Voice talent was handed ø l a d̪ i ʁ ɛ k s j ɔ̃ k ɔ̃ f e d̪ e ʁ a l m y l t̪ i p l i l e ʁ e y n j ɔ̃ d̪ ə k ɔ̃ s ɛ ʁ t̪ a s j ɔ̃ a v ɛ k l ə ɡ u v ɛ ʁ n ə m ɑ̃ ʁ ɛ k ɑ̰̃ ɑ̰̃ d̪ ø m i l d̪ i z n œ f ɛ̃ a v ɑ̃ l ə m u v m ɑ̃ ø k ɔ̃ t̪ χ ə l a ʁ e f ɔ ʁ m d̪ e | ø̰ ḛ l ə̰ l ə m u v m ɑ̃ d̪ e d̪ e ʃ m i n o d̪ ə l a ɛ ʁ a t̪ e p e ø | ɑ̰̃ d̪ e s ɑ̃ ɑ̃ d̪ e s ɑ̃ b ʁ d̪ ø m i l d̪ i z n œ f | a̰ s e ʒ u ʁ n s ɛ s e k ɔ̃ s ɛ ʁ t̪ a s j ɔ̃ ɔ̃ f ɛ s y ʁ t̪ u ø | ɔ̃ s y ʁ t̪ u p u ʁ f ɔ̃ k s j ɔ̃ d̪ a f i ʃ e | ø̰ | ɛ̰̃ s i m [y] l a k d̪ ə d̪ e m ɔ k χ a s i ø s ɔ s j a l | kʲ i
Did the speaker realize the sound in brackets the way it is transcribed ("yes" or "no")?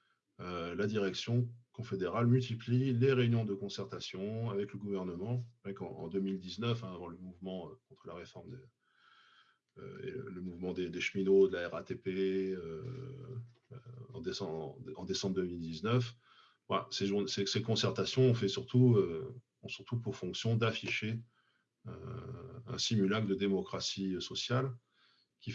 yes